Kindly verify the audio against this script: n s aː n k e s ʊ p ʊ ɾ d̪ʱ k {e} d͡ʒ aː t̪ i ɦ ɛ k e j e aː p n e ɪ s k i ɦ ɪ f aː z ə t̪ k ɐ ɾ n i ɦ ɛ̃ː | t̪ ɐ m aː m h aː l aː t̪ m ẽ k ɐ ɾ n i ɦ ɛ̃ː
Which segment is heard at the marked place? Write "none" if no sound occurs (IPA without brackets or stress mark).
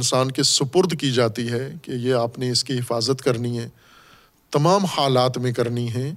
i